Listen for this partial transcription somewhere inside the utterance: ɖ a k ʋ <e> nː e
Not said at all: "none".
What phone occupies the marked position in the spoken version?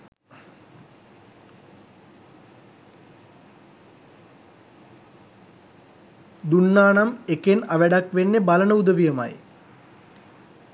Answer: e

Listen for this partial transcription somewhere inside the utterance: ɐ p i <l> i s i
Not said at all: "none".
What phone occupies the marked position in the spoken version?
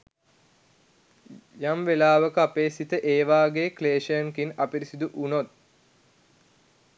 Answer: ɾ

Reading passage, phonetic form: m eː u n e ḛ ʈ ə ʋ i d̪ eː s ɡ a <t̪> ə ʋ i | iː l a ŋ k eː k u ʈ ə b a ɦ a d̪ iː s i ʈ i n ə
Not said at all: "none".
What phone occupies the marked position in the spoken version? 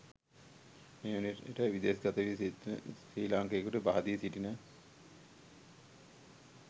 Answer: t̪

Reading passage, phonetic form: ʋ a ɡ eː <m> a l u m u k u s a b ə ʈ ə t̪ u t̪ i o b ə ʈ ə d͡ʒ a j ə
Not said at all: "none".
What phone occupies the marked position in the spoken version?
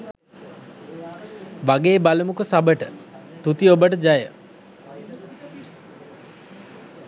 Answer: b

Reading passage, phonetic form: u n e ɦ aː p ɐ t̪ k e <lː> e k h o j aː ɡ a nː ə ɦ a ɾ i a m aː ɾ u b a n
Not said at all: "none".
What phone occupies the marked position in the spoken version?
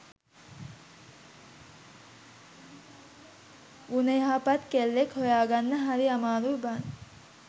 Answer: lː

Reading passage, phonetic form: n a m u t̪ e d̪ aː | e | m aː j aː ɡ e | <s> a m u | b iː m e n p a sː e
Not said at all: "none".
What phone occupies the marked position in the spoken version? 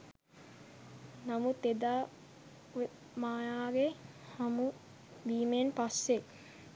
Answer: h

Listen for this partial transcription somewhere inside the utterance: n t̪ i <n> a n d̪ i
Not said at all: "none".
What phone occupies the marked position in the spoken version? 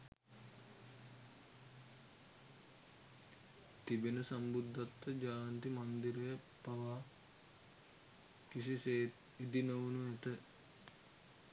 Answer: m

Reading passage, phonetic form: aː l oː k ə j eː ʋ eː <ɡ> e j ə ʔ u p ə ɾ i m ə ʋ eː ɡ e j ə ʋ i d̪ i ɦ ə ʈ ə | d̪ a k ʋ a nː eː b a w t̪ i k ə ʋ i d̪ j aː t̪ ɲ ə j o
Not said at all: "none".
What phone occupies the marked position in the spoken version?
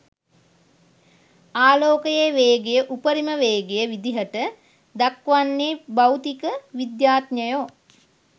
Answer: ɡ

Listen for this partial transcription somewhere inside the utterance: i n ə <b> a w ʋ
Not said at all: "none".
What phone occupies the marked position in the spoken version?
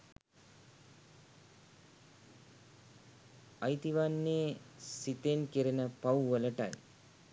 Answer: p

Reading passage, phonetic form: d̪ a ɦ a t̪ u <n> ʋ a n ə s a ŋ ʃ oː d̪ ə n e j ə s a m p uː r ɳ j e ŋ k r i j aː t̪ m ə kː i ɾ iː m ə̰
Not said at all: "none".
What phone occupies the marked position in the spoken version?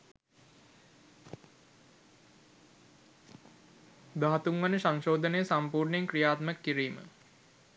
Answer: ŋ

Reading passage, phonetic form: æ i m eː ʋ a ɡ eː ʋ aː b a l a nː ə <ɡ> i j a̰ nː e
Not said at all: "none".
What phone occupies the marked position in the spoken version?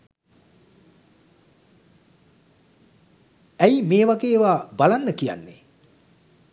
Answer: k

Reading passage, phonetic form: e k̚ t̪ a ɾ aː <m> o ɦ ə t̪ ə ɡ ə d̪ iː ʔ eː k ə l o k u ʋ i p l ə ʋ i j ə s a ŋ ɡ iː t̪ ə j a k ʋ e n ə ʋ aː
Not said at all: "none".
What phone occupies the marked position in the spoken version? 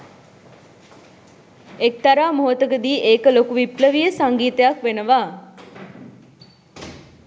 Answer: m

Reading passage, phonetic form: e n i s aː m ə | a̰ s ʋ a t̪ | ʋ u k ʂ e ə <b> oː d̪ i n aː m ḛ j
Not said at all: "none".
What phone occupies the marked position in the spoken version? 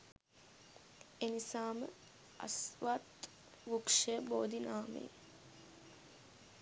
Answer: b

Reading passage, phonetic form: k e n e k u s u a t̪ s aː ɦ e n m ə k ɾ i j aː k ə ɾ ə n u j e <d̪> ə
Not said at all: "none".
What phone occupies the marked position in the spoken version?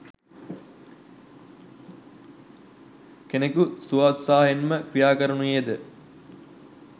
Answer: d̪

